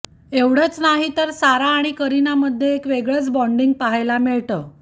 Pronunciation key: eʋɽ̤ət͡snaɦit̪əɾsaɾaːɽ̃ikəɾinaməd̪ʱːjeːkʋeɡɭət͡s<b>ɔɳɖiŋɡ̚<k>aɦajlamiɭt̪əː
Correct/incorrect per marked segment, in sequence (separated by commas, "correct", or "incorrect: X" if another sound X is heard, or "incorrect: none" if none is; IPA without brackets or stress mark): correct, incorrect: p